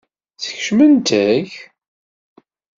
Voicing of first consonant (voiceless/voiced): voiceless